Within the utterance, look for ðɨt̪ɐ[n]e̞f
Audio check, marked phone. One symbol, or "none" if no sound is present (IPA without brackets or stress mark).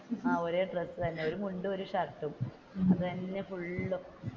nː